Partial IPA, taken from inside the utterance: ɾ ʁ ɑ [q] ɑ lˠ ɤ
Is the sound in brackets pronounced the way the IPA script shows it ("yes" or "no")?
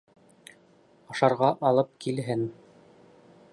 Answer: no